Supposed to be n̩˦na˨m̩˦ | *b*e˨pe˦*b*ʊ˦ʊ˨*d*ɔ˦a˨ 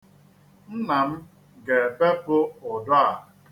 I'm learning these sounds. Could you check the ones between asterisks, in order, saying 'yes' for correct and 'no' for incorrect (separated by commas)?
no, no, yes